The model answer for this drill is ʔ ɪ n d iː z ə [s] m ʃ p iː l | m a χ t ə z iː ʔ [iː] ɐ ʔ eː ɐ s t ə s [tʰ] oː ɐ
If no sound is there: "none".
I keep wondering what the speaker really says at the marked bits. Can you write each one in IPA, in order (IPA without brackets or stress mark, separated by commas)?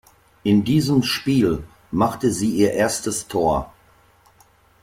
none, iː, tʰ